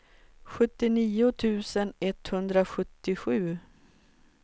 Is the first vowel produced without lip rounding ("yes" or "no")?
no